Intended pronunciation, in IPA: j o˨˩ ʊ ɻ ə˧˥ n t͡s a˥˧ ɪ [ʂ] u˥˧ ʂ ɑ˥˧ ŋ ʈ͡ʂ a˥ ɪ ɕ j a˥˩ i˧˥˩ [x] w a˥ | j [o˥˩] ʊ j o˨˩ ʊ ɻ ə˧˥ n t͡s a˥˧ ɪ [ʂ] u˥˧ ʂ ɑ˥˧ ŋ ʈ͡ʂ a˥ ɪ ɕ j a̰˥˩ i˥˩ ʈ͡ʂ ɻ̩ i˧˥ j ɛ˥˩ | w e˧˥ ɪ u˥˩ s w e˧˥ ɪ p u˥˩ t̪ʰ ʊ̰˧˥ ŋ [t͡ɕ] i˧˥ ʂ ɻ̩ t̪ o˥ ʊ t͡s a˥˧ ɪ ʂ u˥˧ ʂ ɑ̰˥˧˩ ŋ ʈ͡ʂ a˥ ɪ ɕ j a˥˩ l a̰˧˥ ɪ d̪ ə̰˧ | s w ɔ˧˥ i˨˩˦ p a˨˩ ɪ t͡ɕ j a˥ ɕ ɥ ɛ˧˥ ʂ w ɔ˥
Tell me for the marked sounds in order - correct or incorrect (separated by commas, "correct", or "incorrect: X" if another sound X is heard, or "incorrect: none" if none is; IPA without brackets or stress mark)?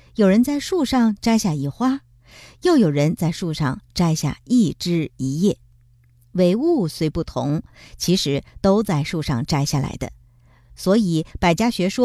correct, correct, correct, correct, incorrect: t͡ɕʰ